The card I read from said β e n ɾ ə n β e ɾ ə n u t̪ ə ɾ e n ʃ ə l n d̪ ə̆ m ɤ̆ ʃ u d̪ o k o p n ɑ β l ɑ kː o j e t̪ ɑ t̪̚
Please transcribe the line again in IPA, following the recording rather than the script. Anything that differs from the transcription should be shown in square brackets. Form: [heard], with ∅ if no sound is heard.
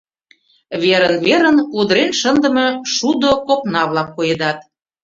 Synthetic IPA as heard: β e [∅] ɾ ə n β e ɾ ə n u [d̪] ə ɾ e n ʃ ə [∅] n d̪ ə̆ m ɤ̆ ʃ u d̪ o k o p n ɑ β l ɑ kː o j e [d̪] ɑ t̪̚

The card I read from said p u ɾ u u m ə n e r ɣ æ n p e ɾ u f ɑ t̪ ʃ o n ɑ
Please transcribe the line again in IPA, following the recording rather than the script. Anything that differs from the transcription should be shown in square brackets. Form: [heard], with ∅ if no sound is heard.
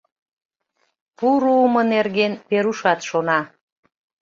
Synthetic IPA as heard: p u ɾ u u m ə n e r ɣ [e] n p e ɾ u [ʃ] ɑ t̪ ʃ o n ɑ

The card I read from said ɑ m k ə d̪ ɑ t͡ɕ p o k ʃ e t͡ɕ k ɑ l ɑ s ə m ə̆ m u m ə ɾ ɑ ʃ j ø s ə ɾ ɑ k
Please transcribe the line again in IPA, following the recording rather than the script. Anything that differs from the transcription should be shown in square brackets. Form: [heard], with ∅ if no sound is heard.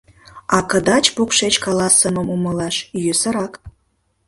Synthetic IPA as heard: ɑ [∅] k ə d̪ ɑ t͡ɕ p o k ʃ e t͡ɕ k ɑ l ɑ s ə m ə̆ m u m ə [l] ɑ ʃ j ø s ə ɾ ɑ k

